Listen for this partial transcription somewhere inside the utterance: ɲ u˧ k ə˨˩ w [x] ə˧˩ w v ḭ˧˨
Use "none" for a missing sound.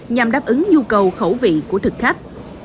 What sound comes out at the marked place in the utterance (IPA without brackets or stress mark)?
x